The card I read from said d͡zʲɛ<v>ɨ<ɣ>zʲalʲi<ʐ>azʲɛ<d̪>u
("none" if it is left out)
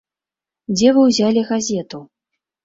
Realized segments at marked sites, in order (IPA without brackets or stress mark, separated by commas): v, w, ɣ, t̪